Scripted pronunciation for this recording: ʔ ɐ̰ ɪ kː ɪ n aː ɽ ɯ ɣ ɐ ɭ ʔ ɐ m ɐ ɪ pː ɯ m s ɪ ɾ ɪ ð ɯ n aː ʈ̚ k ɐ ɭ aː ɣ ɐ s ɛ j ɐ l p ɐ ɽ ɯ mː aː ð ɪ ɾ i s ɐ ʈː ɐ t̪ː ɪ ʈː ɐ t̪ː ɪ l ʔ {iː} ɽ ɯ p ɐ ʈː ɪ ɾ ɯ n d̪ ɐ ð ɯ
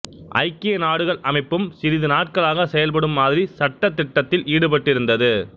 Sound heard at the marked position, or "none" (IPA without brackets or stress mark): iː